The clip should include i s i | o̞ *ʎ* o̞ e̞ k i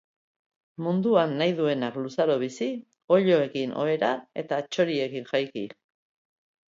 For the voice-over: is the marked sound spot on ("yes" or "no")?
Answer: yes